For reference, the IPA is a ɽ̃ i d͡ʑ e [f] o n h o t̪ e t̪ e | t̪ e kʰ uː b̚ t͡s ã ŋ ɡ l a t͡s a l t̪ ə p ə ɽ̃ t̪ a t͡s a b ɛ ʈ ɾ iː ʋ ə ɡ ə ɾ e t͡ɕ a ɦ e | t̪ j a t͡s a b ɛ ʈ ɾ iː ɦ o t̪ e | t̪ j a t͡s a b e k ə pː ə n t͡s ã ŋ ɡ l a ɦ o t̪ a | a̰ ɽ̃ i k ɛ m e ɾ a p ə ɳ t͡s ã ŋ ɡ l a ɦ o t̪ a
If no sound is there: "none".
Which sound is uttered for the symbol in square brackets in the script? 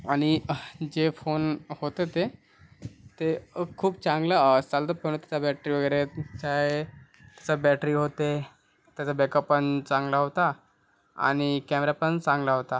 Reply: f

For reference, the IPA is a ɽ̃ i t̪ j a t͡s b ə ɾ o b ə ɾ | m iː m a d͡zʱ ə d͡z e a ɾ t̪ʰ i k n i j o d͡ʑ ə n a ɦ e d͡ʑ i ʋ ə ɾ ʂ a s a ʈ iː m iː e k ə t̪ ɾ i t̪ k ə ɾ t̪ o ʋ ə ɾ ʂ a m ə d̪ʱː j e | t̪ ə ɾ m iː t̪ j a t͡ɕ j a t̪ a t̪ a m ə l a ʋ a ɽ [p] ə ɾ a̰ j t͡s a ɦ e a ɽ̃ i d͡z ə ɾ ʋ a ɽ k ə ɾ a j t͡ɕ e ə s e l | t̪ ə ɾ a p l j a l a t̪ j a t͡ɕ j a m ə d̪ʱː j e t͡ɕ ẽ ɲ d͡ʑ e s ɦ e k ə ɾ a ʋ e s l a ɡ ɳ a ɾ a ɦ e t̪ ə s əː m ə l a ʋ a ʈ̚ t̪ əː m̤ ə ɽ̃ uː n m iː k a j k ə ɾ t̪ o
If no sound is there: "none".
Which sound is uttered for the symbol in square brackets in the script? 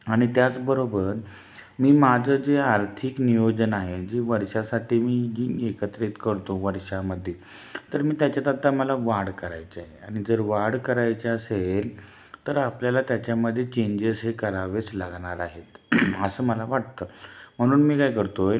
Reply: k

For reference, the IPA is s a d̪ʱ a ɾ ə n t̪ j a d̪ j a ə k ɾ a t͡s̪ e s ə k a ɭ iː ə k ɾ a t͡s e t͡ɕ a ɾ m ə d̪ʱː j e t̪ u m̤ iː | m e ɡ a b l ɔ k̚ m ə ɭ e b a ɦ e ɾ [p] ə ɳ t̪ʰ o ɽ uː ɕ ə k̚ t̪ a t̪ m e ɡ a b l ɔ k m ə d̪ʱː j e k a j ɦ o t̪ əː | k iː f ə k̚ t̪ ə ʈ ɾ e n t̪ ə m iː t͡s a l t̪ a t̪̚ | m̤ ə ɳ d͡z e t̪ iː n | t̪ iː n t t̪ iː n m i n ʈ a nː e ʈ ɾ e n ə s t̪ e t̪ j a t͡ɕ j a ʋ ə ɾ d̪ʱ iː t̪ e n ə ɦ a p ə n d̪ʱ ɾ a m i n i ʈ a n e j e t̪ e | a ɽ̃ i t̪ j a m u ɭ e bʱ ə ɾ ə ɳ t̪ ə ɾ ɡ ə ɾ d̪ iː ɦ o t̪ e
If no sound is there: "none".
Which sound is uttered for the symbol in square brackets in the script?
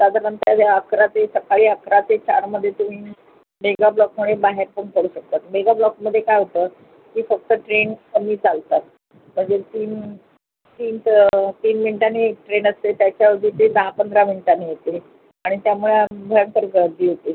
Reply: p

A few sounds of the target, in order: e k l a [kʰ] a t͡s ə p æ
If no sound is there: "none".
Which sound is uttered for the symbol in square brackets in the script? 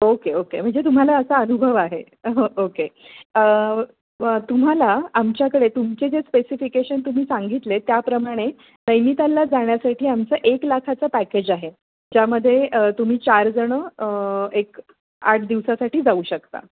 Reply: kʰ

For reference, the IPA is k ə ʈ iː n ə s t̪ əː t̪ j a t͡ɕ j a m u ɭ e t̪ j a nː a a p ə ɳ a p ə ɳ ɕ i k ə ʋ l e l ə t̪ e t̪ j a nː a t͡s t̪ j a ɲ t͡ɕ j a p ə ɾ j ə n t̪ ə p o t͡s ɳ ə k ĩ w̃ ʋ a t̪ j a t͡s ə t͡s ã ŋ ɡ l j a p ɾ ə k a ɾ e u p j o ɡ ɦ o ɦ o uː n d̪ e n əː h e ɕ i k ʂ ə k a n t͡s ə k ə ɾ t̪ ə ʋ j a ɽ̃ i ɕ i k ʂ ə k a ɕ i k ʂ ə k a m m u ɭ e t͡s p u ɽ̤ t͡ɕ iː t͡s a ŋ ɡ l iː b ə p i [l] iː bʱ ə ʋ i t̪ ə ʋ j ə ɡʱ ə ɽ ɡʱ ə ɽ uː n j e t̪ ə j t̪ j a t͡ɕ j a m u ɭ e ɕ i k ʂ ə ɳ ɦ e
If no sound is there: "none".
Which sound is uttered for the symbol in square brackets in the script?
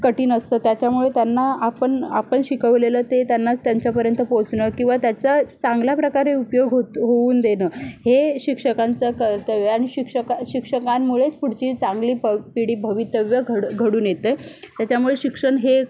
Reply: ɽ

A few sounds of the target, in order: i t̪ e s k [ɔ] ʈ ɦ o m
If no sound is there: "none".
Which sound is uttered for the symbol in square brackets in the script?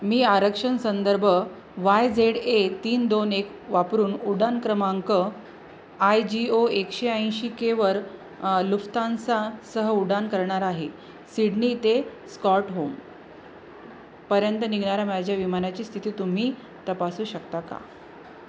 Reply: ɔ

